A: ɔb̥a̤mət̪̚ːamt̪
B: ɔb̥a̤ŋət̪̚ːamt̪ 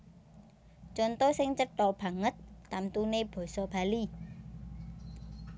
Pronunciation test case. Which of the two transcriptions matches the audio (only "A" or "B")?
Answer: B